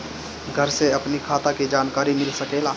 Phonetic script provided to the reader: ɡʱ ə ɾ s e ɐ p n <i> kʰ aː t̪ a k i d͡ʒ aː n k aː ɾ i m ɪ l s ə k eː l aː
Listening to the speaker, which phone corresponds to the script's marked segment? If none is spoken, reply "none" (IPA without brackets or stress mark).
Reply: i